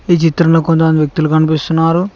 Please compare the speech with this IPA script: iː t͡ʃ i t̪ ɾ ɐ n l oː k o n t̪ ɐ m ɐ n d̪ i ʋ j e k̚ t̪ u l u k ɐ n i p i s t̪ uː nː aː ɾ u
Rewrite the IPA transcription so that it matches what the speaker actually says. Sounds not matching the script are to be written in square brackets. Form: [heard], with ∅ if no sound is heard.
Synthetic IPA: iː t͡ʃ i t̪ ɾ ɐ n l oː k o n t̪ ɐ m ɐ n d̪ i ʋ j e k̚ t̪ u l u k ɐ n i p i s t̪ [u] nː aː ɾ u

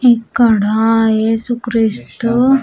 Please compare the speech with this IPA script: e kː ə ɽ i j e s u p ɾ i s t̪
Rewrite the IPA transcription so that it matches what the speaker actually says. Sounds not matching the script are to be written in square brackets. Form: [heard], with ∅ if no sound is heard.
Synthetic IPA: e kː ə ɽ [a] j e s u [k] ɾ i s t̪

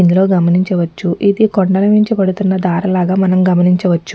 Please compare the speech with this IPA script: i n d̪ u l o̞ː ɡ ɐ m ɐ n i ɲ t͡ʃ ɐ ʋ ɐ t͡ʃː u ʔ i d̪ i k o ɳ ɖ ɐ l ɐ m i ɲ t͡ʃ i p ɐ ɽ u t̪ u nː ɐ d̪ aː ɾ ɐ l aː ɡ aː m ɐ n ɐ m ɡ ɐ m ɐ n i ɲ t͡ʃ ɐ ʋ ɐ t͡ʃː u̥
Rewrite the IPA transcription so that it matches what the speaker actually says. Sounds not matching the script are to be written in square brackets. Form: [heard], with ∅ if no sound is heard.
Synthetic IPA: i n d̪ u l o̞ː ɡ ɐ m ɐ n i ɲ t͡ʃ ɐ ʋ ɐ t͡ʃː u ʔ i d̪ i k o ɳ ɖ ɐ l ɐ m i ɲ t͡ʃ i p ɐ ɽ u t̪ u nː ɐ d̪ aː ɾ ɐ l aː ɡ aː m ɐ n ɐ m ɡ ɐ m ɐ n i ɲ t͡ʃ ɐ ʋ ɐ t͡ʃː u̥

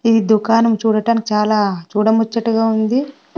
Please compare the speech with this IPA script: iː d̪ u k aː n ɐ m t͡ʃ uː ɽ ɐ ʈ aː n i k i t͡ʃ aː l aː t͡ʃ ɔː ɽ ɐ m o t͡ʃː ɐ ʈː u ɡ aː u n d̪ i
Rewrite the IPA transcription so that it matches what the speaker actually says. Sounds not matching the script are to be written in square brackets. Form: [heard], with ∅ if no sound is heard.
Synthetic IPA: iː d̪ u k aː n ɐ m t͡ʃ uː ɽ ɐ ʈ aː n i k i t͡ʃ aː l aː t͡ʃ [uː] ɽ ɐ m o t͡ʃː ɐ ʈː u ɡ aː u n d̪ i

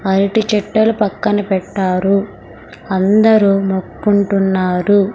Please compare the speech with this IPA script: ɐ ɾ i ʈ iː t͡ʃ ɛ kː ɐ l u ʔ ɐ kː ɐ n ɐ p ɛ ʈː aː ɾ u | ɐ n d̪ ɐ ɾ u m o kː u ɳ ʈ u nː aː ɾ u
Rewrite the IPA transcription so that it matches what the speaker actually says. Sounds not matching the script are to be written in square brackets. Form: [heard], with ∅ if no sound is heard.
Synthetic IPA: ɐ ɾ i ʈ [i] t͡ʃ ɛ [ʈː] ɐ l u [p] ɐ kː ɐ n ɐ p ɛ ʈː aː ɾ u | ɐ n d̪ ɐ ɾ u m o kː u ɳ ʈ u nː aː ɾ u

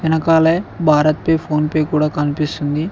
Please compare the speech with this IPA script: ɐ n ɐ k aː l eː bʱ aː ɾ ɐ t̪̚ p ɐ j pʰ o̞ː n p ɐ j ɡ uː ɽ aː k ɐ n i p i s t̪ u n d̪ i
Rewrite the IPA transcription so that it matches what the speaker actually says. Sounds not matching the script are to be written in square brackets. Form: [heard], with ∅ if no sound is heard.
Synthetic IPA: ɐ n ɐ k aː l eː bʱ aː ɾ ɐ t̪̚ p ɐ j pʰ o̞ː n p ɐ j [k] uː ɽ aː k ɐ n i p i s t̪ u n d̪ i

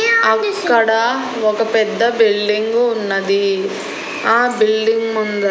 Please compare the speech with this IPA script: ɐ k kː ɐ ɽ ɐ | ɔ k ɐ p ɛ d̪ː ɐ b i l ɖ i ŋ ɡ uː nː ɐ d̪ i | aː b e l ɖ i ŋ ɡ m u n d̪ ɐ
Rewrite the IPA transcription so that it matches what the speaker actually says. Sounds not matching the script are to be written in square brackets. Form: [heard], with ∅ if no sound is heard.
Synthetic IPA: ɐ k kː ɐ ɽ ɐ | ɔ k ɐ p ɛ d̪ː ɐ b i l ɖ i ŋ ɡ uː nː ɐ d̪ i | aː b [i] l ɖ i ŋ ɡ m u n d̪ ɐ

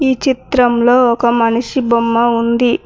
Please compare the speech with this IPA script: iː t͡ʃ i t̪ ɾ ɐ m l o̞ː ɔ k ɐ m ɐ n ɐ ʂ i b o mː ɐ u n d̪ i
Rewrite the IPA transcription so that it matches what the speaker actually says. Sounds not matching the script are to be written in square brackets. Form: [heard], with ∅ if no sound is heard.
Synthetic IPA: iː t͡ʃ i t̪ ɾ ɐ m l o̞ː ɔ k ɐ m ɐ n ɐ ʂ i b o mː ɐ u n d̪ i

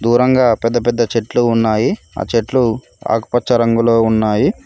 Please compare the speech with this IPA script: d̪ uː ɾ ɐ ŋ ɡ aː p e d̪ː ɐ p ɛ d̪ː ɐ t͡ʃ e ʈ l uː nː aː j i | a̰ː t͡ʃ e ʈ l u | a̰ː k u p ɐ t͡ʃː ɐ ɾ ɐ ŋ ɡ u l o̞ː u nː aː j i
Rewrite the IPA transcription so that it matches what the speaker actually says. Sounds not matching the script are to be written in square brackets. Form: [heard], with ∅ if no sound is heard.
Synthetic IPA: d̪ uː ɾ ɐ ŋ ɡ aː p [ɛ] d̪ː ɐ p ɛ d̪ː ɐ t͡ʃ e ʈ l uː nː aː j i | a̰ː t͡ʃ e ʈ l u | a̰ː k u p ɐ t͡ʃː ɐ ɾ ɐ ŋ ɡ u l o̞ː u nː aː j i

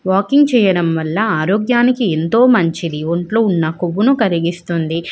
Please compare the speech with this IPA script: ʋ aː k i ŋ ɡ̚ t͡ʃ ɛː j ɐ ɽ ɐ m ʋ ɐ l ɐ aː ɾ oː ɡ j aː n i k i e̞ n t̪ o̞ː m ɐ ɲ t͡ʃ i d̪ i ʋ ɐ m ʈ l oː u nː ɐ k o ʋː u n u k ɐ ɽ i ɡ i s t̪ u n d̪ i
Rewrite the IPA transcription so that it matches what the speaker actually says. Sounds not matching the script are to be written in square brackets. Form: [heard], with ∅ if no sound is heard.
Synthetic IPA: ʋ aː k i ŋ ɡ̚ t͡ʃ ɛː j ɐ ɽ ɐ m ʋ ɐ [lː] ɐ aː ɾ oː ɡ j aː n i k i e̞ n t̪ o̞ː m ɐ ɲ t͡ʃ i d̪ i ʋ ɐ [ɳ] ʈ l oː u nː ɐ k o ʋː u n u k ɐ [ɾ] i ɡ i s t̪ u n d̪ i

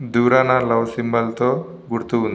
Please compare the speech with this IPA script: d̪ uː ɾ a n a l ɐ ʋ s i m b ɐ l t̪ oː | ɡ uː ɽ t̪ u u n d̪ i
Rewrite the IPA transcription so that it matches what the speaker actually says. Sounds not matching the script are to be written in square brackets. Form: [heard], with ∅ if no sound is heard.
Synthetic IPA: d̪ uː ɾ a n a l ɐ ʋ s i m b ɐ l t̪ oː | ɡ [u] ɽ t̪ u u n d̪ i

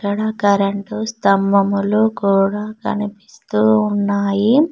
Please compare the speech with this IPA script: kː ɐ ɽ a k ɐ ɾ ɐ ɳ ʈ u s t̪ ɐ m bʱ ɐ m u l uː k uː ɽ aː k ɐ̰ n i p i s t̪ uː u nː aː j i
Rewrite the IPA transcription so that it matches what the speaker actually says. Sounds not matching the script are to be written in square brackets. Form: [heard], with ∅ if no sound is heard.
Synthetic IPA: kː ɐ ɽ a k ɐ ɾ ɐ ɳ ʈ u s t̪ ɐ m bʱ ɐ m u l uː k uː ɽ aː k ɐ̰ n i p i s t̪ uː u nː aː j i

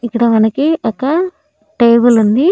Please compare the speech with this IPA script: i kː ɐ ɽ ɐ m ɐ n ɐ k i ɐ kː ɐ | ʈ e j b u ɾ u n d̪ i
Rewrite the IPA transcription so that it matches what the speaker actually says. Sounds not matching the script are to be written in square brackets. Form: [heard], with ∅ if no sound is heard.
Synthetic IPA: i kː ɐ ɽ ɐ m ɐ n ɐ k i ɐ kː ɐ | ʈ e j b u [l] u n d̪ i

